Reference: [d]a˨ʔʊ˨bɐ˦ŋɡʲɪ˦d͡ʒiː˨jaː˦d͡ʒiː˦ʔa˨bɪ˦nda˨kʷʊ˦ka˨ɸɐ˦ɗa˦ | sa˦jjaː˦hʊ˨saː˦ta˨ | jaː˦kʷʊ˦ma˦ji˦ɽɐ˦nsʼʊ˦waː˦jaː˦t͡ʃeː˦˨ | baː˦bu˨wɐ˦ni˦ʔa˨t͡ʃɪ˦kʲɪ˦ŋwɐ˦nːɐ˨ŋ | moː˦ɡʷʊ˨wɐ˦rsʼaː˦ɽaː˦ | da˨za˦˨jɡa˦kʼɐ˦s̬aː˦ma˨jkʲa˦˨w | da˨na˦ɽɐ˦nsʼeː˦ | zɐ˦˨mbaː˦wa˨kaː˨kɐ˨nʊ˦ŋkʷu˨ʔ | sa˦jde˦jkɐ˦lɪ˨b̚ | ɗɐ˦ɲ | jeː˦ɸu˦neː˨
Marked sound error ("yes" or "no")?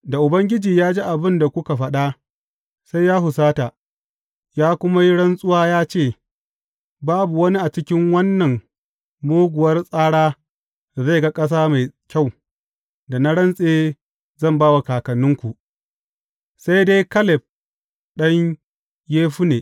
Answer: no